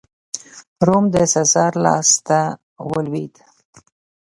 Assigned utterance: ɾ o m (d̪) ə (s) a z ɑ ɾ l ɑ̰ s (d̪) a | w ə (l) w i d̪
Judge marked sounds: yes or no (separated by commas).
yes, yes, no, yes